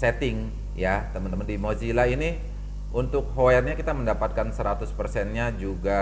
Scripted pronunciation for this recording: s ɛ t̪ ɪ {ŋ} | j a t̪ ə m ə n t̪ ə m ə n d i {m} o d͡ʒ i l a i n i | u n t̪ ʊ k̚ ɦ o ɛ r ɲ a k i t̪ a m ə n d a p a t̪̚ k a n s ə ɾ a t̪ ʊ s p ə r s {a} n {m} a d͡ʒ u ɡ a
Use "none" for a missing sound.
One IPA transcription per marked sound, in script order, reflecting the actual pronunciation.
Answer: ŋ, m, ɛ, ɲ

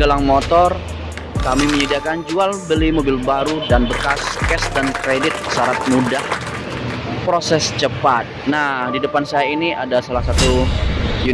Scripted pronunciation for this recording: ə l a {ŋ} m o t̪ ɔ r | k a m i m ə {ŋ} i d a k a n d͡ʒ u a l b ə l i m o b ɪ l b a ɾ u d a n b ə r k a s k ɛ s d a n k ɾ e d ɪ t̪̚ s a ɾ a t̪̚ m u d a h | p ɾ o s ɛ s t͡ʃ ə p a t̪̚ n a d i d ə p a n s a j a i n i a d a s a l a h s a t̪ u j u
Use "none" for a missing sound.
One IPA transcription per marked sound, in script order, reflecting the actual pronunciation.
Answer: ŋ, ɲ

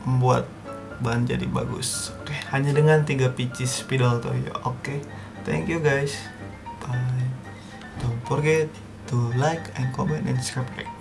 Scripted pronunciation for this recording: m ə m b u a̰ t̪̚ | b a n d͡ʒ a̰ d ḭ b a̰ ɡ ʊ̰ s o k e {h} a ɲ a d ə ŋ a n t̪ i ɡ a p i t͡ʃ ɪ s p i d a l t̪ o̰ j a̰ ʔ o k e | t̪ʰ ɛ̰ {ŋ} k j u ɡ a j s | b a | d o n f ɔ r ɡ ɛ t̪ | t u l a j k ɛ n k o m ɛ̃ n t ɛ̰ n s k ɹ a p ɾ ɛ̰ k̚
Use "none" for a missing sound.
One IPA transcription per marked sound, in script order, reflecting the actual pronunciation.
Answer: h, ŋ

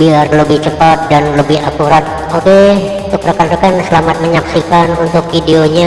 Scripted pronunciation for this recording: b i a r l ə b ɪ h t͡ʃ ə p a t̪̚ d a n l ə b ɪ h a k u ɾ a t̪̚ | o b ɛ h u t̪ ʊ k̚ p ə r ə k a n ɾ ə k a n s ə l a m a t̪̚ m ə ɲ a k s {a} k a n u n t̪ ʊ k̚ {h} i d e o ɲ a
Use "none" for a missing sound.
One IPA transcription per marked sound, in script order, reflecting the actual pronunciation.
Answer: i, f

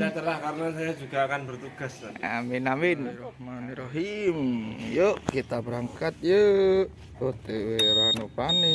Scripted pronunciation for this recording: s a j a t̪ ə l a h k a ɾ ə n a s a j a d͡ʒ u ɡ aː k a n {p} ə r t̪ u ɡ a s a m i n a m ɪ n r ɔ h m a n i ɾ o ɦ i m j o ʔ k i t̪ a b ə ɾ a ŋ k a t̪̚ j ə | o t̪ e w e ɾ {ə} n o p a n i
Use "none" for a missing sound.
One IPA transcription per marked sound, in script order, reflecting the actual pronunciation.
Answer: b, a

